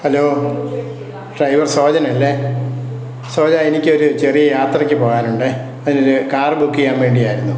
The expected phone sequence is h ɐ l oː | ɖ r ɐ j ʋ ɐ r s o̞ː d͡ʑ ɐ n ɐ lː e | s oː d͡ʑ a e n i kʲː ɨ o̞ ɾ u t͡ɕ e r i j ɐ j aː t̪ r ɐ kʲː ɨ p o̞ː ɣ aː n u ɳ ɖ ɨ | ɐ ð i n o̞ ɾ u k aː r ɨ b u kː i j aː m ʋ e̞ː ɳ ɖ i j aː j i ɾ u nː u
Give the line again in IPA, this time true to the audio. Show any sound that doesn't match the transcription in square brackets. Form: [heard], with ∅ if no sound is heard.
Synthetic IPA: h ɐ l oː | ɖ r ɐ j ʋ ɐ r s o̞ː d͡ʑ ɐ n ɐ lː e | s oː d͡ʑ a e n i kʲː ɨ o̞ ɾ u t͡ɕ e r i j ɐ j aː t̪ r ɐ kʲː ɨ p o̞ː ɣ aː n u ɳ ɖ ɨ | ɐ ð i n o̞ ɾ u k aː r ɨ b u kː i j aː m ʋ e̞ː ɳ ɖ i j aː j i ɾ u nː u

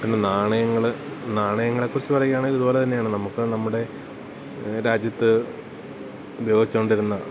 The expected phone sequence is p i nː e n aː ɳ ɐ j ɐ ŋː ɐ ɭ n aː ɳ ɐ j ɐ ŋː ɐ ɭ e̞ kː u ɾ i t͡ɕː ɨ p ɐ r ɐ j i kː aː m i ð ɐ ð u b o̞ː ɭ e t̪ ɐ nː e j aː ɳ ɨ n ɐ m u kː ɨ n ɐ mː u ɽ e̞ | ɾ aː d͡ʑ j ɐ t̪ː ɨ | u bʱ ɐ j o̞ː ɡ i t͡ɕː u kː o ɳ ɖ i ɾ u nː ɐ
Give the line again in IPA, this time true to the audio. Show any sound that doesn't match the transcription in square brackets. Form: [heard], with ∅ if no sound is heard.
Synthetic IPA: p i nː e n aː ɳ ɐ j ɐ ŋː ɐ ɭ n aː ɳ ɐ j ɐ ŋː ɐ ɭ e̞ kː u [r] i t͡ɕː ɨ p ɐ r ɐ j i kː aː [ɳ] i ð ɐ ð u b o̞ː [l] e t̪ ɐ nː e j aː ɳ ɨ n ɐ m u kː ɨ n ɐ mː u ɽ e̞ | ɾ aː d͡ʑ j ɐ t̪ː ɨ | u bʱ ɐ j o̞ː ɡ i t͡ɕː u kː o ɳ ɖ i ɾ u nː ɐ

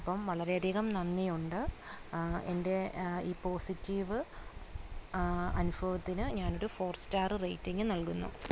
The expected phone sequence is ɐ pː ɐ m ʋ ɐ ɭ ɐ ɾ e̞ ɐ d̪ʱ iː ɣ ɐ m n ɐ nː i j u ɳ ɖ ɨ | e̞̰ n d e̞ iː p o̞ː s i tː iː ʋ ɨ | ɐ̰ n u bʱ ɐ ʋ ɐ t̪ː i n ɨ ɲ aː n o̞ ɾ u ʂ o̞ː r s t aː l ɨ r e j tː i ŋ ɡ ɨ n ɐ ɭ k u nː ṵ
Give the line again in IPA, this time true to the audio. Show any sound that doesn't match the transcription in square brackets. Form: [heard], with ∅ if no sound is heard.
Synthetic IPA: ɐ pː ɐ m ʋ ɐ ɭ ɐ ɾ e̞ ɐ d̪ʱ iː ɣ ɐ m n ɐ nː i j u ɳ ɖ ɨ | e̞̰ n d e̞ iː p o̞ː s i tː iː ʋ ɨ | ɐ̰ n u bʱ ɐ ʋ ɐ t̪ː i n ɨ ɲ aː n o̞ ɾ u [f] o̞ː r s t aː [r] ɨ r e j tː i ŋ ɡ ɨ n ɐ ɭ k u nː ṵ

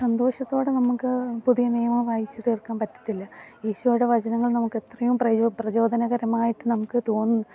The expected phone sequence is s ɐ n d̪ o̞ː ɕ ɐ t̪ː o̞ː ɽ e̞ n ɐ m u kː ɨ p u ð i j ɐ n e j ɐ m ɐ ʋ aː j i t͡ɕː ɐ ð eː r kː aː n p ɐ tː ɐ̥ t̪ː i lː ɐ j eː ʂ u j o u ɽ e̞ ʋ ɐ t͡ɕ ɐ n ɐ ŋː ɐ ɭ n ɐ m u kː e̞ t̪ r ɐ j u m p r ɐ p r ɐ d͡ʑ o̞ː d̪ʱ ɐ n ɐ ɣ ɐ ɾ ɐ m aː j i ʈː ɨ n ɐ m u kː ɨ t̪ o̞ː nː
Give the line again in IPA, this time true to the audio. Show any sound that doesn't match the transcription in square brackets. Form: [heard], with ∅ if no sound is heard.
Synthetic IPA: s ɐ n d̪ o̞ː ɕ ɐ t̪ː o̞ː ɽ e̞ n ɐ m u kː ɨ p u ð i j ɐ n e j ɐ m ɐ ʋ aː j i t͡ɕː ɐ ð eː r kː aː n p ɐ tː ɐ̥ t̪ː i lː ɐ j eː [ɕ] u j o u ɽ e̞ ʋ ɐ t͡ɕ ɐ n ɐ ŋː ɐ ɭ n ɐ m u kː e̞ t̪ r ɐ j u m p r ɐ p r ɐ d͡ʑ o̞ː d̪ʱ ɐ n ɐ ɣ ɐ ɾ ɐ m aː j i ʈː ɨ n ɐ m u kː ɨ t̪ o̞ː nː

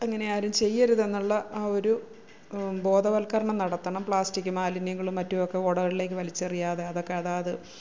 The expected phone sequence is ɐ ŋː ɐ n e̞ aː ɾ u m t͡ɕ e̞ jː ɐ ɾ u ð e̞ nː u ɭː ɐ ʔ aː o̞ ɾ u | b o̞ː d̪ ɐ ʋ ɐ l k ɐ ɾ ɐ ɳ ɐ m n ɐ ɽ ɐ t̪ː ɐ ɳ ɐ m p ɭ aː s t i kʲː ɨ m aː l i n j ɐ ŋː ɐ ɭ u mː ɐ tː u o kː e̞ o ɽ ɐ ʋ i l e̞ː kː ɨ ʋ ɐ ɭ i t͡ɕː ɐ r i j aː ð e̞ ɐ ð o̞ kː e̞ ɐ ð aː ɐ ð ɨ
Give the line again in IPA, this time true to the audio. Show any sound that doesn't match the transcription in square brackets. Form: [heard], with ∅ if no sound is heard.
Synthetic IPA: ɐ ŋː ɐ n e̞ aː ɾ u m t͡ɕ e̞ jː ɐ ɾ u ð e̞ nː u ɭː ɐ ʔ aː o̞ ɾ u | b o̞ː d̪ ɐ ʋ ɐ l k ɐ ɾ ɐ ɳ ɐ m n ɐ ɽ ɐ t̪ː ɐ ɳ ɐ m p ɭ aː s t i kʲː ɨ m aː l i n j ɐ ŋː ɐ ɭ u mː ɐ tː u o kː e̞ o ɽ ɐ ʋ i l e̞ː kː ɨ ʋ ɐ [l] i t͡ɕː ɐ r i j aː ð e̞ ɐ ð o̞ kː e̞ ɐ ð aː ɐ ð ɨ

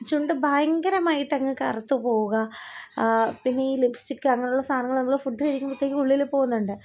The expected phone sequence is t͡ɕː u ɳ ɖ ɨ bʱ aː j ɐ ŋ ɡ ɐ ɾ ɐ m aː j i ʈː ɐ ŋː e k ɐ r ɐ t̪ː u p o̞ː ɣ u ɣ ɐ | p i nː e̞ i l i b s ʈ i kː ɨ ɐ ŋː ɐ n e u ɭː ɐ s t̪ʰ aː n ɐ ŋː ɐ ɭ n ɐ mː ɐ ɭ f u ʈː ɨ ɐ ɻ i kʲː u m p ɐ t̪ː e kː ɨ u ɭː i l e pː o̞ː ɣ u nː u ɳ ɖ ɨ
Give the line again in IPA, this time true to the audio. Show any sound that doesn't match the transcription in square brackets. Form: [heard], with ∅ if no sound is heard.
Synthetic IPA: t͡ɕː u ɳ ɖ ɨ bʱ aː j ɐ ŋ ɡ ɐ ɾ ɐ m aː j i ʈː ɐ ŋː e k ɐ r ɐ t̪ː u p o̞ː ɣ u ɣ ɐ | p i nː e̞ [iː] l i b s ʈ i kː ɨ ɐ ŋː ɐ n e u ɭː ɐ s t̪ʰ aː n ɐ ŋː ɐ ɭ n ɐ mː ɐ ɭ f u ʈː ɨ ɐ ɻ i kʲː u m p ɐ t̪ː e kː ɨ u ɭː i l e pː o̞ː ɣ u nː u ɳ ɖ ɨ

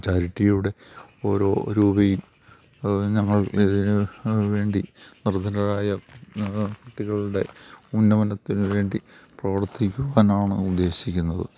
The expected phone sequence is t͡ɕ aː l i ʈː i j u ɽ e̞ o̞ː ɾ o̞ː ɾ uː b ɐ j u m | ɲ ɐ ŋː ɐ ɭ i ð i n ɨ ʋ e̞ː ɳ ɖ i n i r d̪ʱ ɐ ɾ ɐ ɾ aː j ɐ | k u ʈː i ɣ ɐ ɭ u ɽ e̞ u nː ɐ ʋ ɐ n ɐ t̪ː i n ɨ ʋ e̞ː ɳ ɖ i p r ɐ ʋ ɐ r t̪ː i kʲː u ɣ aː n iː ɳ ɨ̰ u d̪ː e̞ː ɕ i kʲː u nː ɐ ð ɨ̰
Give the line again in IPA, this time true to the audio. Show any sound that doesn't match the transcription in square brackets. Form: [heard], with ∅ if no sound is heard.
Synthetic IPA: t͡ɕ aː [ɾ] i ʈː i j u ɽ e̞ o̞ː ɾ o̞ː ɾ uː b ɐ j u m | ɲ ɐ ŋː ɐ ɭ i ð i n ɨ ʋ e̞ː ɳ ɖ i n i r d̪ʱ ɐ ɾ ɐ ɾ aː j ɐ | k u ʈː i ɣ ɐ ɭ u ɽ e̞ u nː ɐ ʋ ɐ n ɐ t̪ː i n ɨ ʋ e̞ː ɳ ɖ i p r ɐ ʋ ɐ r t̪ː i kʲː u ɣ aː n [aː] ɳ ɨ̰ u d̪ː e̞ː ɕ i kʲː u nː ɐ ð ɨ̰

